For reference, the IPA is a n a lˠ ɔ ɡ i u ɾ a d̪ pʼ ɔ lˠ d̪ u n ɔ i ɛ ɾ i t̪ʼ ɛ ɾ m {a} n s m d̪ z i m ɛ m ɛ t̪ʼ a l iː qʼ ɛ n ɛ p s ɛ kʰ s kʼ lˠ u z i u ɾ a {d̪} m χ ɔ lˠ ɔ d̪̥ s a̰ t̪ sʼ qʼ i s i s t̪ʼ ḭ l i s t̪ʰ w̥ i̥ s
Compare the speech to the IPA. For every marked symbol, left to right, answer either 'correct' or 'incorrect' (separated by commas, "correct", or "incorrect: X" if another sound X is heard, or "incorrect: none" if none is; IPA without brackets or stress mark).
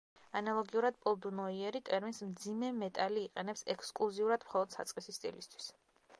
incorrect: i, correct